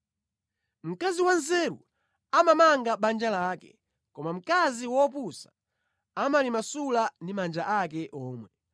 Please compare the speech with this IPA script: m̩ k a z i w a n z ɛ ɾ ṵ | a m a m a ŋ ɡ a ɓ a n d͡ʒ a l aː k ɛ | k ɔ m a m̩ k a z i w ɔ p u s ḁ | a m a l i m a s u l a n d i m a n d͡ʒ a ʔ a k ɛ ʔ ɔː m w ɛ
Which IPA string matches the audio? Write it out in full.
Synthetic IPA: m̩ k a z i w a n z ɛ ɾ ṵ | a m a m a ŋ ɡ a ɓ a n d͡ʒ a l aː k ɛ | k ɔ m a m̩ k a z i w ɔ p u s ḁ | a m a l i m a s u l a n d i m a n d͡ʒ a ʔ a k ɛ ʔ ɔː m w ɛ